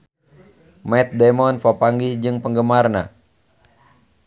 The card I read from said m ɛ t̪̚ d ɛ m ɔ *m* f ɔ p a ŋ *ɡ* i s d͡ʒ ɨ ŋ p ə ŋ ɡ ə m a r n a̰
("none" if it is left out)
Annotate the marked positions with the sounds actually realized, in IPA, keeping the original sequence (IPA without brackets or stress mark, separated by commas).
n, ɡ